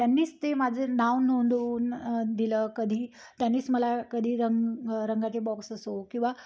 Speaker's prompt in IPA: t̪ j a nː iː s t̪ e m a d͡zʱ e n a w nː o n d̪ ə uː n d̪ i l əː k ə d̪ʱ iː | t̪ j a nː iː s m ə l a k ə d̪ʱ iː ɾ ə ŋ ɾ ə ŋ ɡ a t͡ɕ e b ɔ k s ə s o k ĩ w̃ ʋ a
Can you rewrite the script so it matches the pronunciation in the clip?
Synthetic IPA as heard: t̪ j a nː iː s t̪ e m a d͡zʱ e n a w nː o n d̪ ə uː n d̪ i l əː k ə d̪ʱ iː | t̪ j a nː iː s m ə l a k ə d̪ʱ iː ɾ ə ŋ ɾ ə ŋ ɡ a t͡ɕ e b ɔ k s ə s o k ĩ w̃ ʋ a